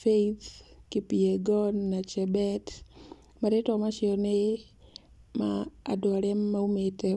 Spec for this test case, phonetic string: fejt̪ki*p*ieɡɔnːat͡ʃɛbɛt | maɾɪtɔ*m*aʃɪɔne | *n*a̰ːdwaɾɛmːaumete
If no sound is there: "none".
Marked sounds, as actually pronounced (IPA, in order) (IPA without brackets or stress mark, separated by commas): p, m, m